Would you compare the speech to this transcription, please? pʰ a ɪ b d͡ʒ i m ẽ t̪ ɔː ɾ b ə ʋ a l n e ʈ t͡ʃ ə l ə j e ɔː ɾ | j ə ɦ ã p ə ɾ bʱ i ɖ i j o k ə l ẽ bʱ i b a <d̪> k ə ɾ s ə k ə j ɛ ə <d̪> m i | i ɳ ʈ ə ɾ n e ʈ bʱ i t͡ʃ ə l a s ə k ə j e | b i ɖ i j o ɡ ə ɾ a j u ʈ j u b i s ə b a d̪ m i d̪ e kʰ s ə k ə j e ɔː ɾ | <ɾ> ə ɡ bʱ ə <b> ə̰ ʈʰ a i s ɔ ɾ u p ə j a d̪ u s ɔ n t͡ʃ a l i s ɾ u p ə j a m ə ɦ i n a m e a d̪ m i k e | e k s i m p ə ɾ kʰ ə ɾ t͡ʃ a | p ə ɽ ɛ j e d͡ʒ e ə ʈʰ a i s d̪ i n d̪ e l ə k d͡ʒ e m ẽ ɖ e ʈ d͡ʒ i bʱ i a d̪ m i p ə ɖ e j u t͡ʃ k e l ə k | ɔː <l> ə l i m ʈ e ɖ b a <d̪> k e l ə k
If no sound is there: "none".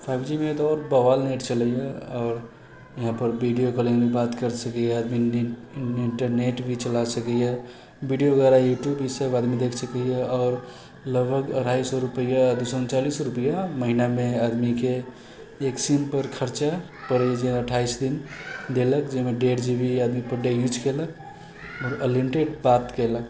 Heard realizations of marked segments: t̪, d̪, l, ɡ, ɾ, t̪

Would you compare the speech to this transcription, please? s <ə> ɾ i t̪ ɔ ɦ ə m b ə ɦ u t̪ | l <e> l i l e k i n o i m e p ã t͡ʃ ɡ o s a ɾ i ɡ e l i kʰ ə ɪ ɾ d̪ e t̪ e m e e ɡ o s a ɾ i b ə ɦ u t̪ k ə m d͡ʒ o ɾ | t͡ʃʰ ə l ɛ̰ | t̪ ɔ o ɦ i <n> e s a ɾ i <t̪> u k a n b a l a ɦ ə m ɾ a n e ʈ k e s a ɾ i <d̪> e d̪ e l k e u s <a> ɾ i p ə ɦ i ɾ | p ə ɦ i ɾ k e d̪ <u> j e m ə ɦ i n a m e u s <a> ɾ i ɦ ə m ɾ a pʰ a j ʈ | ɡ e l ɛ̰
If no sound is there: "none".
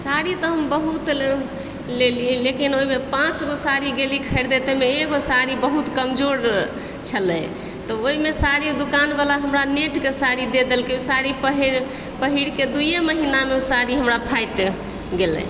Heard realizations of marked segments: a, e, m, d̪, d̪, a, u, a

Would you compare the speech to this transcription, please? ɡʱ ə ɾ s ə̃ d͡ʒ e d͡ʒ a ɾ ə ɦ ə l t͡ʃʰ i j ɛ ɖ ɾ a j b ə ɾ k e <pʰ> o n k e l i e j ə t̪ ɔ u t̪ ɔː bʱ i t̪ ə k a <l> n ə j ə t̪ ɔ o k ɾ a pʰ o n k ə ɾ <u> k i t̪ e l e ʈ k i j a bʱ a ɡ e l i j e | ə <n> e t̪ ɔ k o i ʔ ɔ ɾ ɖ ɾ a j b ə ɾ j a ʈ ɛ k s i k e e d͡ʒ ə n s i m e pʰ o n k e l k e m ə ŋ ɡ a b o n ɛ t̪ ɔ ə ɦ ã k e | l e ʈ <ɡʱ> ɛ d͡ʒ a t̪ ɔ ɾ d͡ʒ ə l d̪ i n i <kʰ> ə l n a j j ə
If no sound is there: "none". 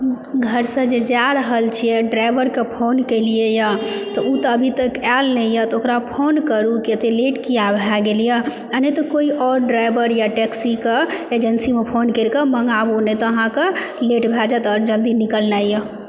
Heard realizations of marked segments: pʰ, l, u, n, bʱ, k

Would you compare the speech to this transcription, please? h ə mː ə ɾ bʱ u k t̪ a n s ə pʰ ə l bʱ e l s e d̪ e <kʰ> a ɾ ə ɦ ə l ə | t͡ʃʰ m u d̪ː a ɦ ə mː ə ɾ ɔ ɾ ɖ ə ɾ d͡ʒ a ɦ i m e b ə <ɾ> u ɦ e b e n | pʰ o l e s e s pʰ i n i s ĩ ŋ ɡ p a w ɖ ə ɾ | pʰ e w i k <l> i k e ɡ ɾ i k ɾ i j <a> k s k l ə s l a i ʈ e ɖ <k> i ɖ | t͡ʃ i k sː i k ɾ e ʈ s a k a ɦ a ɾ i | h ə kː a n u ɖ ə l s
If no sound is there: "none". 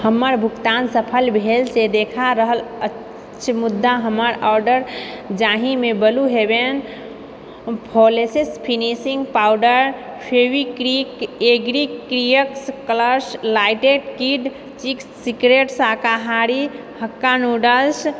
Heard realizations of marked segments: kʰ, l, ɾ, ə, k

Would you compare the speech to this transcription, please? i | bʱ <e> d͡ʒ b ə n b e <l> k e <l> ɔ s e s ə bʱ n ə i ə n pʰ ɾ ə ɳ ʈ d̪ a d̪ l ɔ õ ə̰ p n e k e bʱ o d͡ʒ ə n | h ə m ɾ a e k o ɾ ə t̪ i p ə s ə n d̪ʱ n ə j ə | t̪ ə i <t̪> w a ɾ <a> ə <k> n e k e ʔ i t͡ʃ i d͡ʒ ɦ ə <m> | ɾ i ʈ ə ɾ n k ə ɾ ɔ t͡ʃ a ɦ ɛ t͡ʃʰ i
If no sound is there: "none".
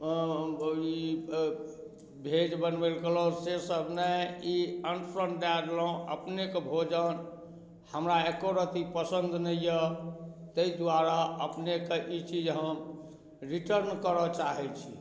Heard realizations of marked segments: e, l, l, d̪, a, p, m

